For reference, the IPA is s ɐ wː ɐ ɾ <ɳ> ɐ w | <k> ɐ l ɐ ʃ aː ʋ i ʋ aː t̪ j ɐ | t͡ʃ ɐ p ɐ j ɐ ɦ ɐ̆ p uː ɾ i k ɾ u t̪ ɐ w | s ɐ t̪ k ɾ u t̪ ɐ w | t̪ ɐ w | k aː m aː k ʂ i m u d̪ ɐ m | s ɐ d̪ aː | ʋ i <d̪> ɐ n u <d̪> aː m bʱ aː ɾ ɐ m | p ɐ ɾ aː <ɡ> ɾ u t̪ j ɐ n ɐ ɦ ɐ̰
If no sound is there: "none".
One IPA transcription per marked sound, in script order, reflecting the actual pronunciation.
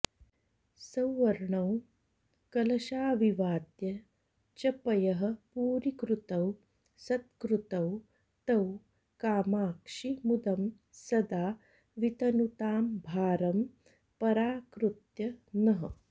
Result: ɳ, k, t̪, t̪, k

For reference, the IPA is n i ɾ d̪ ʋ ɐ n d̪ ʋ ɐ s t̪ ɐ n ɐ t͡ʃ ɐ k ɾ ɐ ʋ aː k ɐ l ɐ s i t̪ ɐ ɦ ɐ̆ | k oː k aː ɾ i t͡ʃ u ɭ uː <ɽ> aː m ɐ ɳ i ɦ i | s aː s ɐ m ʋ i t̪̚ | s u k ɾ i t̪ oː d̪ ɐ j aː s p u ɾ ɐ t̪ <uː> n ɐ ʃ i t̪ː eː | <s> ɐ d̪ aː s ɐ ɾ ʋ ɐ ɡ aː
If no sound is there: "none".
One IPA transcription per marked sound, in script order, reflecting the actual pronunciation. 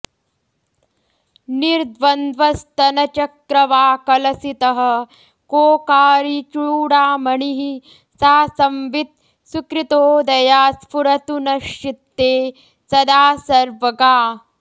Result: ɽ, u, s

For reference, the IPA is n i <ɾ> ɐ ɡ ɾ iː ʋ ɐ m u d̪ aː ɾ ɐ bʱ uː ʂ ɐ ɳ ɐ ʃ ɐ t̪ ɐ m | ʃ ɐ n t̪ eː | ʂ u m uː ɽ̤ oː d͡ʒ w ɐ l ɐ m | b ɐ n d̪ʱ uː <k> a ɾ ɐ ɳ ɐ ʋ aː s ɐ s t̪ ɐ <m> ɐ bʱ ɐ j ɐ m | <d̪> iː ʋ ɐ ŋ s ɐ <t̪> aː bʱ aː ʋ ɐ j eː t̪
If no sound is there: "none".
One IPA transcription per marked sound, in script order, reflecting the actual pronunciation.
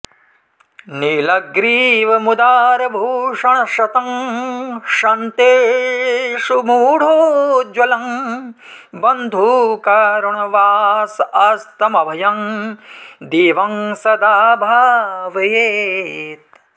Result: l, k, m, d̪, d̪

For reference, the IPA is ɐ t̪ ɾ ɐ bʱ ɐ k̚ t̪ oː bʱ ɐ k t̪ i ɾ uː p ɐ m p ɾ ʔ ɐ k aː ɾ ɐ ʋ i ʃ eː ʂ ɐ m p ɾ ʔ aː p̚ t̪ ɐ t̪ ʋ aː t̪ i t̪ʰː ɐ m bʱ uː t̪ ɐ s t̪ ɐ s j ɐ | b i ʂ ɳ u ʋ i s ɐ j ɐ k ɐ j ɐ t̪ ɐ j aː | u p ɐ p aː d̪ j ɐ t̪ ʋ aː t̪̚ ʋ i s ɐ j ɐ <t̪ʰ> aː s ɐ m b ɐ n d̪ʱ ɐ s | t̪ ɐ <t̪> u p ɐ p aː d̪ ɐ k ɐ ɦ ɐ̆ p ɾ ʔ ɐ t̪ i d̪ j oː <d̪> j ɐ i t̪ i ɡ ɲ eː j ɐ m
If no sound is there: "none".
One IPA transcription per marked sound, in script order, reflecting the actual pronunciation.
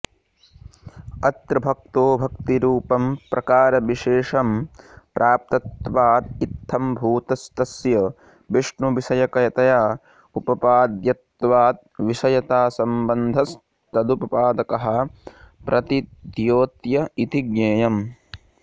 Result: t̪, d̪, t̪

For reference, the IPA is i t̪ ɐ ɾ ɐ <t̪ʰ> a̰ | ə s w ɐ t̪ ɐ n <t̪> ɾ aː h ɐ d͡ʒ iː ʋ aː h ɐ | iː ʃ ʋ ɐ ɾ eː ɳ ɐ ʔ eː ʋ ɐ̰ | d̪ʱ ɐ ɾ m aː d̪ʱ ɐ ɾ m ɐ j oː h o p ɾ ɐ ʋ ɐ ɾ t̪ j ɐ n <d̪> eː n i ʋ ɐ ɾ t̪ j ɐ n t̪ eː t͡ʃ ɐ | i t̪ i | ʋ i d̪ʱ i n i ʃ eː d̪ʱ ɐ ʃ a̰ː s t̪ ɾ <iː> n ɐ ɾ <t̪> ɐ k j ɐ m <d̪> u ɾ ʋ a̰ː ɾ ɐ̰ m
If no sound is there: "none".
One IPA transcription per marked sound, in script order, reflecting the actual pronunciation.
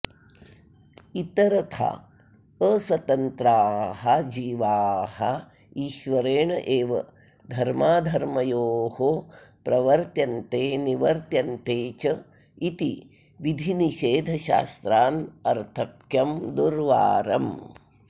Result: t̪ʰ, t̪, t̪, aː, t̪ʰ, d̪

